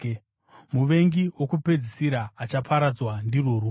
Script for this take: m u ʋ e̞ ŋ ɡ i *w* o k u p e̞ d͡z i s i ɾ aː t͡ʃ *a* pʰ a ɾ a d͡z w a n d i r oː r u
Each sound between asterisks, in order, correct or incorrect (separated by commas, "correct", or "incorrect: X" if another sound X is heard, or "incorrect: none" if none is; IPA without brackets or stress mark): correct, correct